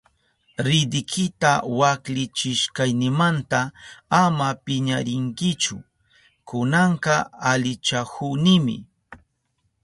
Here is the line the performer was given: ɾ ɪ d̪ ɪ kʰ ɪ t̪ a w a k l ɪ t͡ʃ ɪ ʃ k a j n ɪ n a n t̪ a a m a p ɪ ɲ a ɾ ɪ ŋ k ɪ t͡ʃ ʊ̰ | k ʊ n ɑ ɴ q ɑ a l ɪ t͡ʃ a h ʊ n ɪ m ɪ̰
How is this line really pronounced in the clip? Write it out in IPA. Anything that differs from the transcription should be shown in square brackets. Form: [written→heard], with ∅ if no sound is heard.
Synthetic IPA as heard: ɾ ɪ d̪ ɪ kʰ ɪ t̪ a w a k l ɪ t͡ʃ ɪ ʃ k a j n ɪ [n→m] a n t̪ a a m a p ɪ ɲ a ɾ ɪ ŋ k ɪ t͡ʃ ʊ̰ | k ʊ n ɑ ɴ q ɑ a l ɪ t͡ʃ a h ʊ n ɪ m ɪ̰

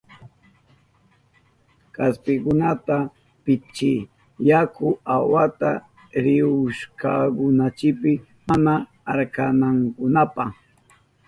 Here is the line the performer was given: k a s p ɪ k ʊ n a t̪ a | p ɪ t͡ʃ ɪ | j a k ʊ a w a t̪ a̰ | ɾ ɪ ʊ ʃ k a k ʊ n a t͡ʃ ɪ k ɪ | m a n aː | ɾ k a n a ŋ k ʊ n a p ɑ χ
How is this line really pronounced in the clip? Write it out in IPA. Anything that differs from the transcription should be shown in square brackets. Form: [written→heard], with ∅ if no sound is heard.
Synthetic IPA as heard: k a s p ɪ k ʊ n a t̪ a | p ɪ t͡ʃ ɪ | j a k ʊ a w a t̪ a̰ | ɾ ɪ ʊ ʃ k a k ʊ n a t͡ʃ ɪ [k→p] ɪ | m a n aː | ɾ k a n a ŋ k ʊ n a p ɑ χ

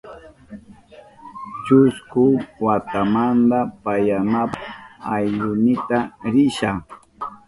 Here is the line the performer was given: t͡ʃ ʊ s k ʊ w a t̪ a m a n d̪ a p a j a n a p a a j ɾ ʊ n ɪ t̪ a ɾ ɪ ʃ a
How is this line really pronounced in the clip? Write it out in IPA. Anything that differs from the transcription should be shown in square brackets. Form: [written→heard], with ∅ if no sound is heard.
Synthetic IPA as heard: t͡ʃ ʊ s k ʊ w a t̪ a m a n d̪ a p a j a n a p a a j [ɾ→ʎ] ʊ n ɪ t̪ a ɾ ɪ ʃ a

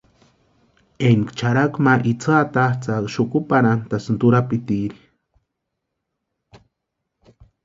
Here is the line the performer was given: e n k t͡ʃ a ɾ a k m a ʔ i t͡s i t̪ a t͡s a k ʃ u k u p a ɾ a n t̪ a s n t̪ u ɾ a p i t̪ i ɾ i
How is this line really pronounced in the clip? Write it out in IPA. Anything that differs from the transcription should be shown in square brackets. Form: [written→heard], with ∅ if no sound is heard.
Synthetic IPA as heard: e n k t͡ʃ a ɾ a k m a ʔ i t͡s [i→a] t̪ a t͡s a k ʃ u k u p a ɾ a n t̪ a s n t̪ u ɾ a p i t̪ i ɾ i

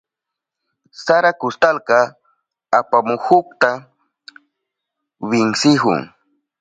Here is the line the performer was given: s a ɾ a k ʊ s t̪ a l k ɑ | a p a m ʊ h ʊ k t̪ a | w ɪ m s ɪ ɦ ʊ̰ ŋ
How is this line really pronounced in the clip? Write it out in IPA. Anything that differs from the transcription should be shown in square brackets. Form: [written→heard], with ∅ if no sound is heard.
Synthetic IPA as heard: s a ɾ a k ʊ s t̪ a l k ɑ | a p a m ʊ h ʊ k t̪ a | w ɪ [m→ŋ] s ɪ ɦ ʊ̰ ŋ

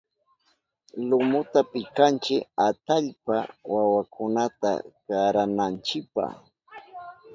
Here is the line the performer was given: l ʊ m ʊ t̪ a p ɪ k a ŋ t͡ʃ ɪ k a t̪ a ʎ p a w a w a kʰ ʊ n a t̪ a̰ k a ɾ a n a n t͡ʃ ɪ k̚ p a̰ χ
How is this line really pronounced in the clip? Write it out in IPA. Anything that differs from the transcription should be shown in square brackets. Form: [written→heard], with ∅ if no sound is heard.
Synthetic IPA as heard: l ʊ m ʊ t̪ a p ɪ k a [ŋ→n] t͡ʃ ɪ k a t̪ a ʎ p a w a w a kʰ ʊ n a t̪ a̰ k a ɾ a n a n t͡ʃ ɪ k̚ p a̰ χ

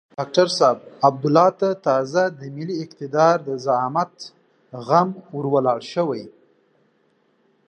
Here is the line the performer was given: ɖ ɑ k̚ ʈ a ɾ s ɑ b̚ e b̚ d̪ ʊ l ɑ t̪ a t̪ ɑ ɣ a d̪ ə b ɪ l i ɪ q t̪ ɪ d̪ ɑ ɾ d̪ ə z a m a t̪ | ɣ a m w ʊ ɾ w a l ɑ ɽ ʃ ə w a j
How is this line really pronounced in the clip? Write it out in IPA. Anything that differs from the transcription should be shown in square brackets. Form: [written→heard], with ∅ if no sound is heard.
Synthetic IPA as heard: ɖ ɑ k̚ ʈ a ɾ s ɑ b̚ [e→a] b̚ d̪ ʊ l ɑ t̪ a t̪ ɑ [ɣ→z] a d̪ ə [b→m] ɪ l i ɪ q t̪ ɪ d̪ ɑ ɾ d̪ ə z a m a t̪ | ɣ a m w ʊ ɾ w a l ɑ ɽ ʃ ə w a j

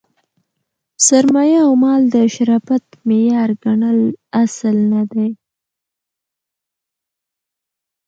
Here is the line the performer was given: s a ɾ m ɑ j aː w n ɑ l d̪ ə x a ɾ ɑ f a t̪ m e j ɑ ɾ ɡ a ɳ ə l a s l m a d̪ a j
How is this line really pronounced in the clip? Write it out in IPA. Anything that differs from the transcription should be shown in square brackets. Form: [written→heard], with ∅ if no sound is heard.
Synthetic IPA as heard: s a ɾ m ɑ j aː w [n→m] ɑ l d̪ ə [x→ʃ] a ɾ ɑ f a t̪ m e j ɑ ɾ ɡ a ɳ ə l a s l [m→n] a d̪ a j

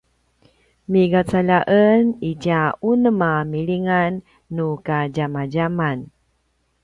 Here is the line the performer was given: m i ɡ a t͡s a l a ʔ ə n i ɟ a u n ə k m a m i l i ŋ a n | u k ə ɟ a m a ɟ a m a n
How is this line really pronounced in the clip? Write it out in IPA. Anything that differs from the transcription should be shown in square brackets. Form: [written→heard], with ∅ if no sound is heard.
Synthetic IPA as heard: m i ɡ a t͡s a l a ʔ ə n i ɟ a u n ə [k→∅] m a m i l i ŋ a [n→nː] | u k [ə→a] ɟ a m a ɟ a m a n

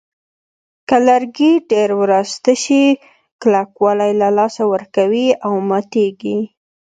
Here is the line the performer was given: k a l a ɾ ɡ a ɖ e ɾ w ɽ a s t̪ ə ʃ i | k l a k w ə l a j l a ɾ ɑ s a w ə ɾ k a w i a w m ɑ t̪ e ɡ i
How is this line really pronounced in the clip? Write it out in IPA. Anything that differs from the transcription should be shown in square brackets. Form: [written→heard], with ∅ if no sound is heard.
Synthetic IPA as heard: k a l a ɾ ɡ [a→i] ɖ e ɾ w [ɽ→ɾ] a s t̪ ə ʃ i | k l a k w [ə→ɑ] l a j l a [ɾ→l] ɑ s a w ə ɾ k a w i a w m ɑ t̪ e ɡ i

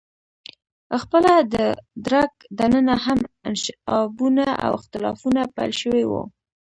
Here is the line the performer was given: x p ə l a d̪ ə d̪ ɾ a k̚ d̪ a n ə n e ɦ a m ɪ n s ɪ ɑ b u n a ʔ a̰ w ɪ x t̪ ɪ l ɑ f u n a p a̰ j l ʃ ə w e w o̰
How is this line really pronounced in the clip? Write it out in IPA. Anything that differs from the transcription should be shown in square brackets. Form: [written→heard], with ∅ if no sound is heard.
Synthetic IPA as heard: x p ə l a d̪ ə d̪ ɾ a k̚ d̪ a n ə n [e→a] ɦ a m ɪ n [s→ʃ] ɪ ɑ b u n a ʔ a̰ w ɪ x t̪ ɪ l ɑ f u n a p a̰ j l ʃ ə w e w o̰

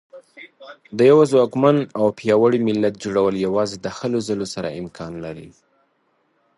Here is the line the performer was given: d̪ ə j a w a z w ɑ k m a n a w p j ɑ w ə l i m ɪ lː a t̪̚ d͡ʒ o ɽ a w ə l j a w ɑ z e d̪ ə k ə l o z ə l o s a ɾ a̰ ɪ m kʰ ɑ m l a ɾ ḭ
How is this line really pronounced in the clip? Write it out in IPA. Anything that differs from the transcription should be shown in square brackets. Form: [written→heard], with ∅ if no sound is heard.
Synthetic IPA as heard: d̪ ə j a w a z w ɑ k m a n a w p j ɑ w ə [l→ɽ] i m ɪ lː a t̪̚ d͡ʒ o ɽ a w ə l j a w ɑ z e d̪ ə [k→x] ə l o z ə l o s a ɾ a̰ ɪ m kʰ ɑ [m→n] l a ɾ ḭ

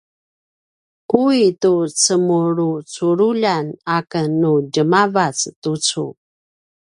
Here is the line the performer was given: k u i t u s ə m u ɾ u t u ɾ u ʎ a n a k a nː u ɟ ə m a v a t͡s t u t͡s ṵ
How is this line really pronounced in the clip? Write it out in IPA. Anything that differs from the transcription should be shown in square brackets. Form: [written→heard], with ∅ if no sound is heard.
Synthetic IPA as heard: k u i t u [s→t͡s] ə m u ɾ u [t→t͡s] u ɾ u ʎ a n a k [a→ə] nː u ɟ ə m a v a t͡s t u t͡s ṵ

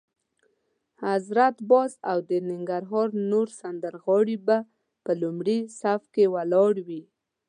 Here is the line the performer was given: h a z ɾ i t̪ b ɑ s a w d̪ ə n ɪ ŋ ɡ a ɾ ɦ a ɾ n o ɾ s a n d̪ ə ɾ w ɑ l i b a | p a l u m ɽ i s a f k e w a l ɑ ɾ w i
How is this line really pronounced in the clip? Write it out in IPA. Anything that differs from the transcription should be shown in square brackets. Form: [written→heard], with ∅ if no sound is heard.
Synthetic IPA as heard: h a z ɾ [i→a] t̪ b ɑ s a w d̪ ə n ɪ ŋ ɡ a ɾ ɦ [a→ɑ] ɾ n o ɾ s a n d̪ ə ɾ [w→ɣ] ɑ [l→ɽ] i b a | p [a→ə] l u m ɽ i s a f k e w a l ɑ [ɾ→ɽ] w i

